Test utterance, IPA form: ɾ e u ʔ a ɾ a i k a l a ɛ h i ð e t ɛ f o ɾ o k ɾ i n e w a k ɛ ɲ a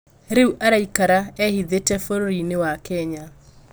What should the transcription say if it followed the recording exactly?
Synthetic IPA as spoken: ɾ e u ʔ a ɾ a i k a ɾ a ɛ h i ð e t ɛ f o ɾ o ɾ i n e w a k ɛ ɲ a